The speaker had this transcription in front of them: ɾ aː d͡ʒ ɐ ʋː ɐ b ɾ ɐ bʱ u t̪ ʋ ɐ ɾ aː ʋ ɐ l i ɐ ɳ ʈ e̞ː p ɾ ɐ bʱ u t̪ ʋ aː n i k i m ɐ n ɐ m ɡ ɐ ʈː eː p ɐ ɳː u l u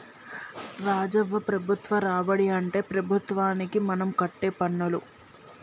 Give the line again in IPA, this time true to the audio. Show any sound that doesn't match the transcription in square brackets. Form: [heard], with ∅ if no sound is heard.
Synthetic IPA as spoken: ɾ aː d͡ʒ ɐ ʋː ɐ [p] ɾ ɐ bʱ u t̪ ʋ ɐ ɾ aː ʋ ɐ [ɽ] i ɐ ɳ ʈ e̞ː p ɾ ɐ bʱ u t̪ ʋ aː n i k i m ɐ n ɐ m [k] ɐ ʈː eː p ɐ ɳː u l u